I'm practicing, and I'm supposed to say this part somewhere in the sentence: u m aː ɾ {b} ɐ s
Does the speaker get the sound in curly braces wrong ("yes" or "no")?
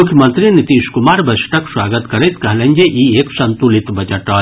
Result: no